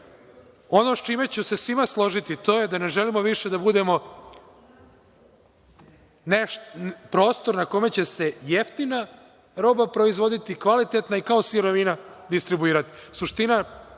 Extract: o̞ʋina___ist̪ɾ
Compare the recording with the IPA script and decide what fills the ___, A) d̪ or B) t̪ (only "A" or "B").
A